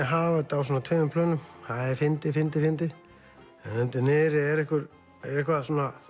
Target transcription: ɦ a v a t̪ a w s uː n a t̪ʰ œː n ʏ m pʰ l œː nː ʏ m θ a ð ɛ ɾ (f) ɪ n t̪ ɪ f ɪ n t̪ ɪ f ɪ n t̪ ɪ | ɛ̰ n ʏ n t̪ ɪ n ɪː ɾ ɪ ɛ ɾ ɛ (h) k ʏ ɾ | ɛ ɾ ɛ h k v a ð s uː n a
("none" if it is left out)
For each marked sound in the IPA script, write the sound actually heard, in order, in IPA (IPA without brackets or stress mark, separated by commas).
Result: f, h